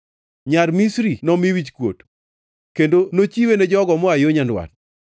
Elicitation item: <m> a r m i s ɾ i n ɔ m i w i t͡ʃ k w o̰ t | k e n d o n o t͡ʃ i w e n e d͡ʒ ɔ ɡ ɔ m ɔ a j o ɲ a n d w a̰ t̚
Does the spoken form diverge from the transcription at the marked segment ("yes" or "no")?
yes